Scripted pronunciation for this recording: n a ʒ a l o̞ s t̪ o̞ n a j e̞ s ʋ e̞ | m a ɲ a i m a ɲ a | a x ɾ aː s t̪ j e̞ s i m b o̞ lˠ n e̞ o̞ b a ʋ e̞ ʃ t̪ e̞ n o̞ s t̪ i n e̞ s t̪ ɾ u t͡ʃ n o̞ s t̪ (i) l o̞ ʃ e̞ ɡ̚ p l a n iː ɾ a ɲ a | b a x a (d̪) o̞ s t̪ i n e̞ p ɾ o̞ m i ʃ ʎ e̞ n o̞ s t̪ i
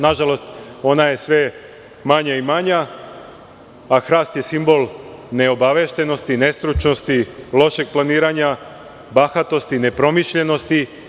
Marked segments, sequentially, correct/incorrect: correct, incorrect

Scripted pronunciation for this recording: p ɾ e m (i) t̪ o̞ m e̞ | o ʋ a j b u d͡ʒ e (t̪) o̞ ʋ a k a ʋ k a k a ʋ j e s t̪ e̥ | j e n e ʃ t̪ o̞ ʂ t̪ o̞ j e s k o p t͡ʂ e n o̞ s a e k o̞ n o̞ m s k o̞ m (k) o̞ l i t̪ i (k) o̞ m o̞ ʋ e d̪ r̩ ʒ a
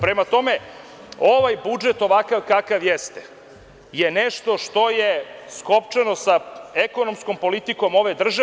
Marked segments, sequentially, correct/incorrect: incorrect, correct, incorrect, correct

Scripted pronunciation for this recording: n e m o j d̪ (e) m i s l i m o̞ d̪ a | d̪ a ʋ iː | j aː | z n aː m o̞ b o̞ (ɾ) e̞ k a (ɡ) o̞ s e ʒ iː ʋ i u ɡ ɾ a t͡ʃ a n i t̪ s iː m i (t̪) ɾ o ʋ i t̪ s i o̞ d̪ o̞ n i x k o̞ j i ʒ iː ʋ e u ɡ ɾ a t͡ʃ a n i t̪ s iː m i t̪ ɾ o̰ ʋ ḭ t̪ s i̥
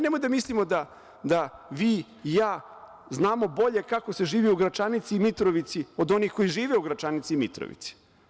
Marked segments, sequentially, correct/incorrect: incorrect, incorrect, incorrect, correct

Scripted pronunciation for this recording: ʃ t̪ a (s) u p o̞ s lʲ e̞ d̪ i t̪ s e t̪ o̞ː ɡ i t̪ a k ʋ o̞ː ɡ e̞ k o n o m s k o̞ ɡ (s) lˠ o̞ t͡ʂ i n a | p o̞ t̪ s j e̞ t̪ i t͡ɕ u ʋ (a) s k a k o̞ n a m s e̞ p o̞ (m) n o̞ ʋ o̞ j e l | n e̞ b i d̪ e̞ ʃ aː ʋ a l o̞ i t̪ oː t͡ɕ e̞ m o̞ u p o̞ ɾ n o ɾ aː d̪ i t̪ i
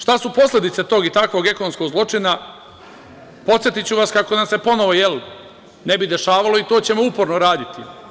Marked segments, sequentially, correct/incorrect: correct, incorrect, correct, incorrect

